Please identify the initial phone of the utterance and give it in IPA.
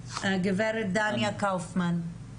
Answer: ɡ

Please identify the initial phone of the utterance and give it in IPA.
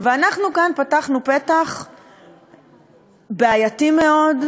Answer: v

